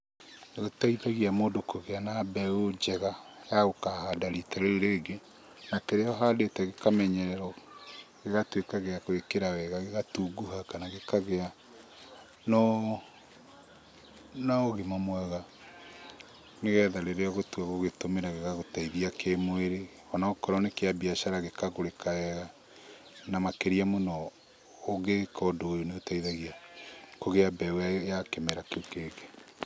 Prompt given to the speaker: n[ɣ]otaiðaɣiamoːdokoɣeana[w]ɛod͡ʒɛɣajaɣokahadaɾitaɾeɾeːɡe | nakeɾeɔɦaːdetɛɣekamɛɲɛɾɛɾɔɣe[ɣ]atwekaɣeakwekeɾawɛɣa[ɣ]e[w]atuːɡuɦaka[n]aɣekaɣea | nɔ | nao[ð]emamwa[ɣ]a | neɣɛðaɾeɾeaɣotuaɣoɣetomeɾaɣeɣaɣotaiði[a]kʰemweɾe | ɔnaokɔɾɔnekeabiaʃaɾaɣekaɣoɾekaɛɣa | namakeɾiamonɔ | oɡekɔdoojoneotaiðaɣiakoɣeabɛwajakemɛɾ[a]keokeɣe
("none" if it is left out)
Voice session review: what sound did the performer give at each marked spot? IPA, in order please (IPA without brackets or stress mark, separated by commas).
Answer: ɣ, b, ɣ, ɣ, ɣ, n, ɣ, ɣ, a, a